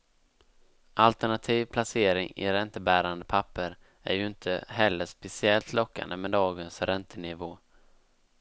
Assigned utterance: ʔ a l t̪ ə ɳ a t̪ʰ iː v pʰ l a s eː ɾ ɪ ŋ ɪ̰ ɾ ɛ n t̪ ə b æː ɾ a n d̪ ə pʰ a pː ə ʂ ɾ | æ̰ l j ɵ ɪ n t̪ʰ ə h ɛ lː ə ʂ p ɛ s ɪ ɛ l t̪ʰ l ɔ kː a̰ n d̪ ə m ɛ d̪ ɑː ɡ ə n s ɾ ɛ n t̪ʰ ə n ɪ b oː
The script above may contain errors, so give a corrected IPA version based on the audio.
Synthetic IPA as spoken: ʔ a l t̪ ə ɳ a t̪ʰ iː v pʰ l a s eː ɾ ɪ ŋ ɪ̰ ɾ ɛ n t̪ ə b æː ɾ a n d̪ ə pʰ a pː ə ɾ | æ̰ ɾ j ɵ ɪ n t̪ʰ ə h ɛ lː ə ʂ p ɛ s ɪ ɛ l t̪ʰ l ɔ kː a̰ n d̪ ə m ɛ d̪ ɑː ɡ ə n s ɾ ɛ n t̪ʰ ə n ɪ v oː